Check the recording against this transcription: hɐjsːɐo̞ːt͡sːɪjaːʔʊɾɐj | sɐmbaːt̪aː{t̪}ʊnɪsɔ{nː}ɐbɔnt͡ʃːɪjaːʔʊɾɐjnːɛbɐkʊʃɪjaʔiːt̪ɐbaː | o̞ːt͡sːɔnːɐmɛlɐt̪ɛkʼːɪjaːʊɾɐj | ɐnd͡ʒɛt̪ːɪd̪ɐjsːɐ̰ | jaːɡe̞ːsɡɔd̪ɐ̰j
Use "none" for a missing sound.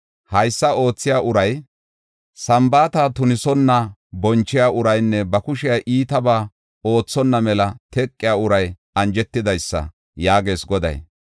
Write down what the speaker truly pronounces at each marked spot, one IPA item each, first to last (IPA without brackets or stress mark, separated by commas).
t̪, nː